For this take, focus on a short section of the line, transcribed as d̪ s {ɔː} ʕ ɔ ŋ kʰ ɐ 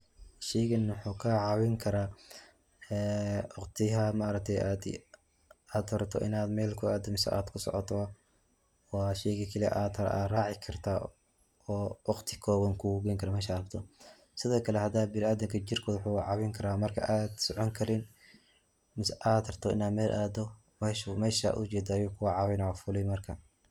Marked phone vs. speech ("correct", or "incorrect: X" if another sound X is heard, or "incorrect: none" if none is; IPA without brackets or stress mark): incorrect: ɔ